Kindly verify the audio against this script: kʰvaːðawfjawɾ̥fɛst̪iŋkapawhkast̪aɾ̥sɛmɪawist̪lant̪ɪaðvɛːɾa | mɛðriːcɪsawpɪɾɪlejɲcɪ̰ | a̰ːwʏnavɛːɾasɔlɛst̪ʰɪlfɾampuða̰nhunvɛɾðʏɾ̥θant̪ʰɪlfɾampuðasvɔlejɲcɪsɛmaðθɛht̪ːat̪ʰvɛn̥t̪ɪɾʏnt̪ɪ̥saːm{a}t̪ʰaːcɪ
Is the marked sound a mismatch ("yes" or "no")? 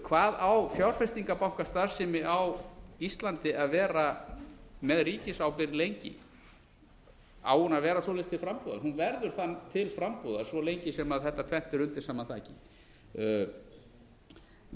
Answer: no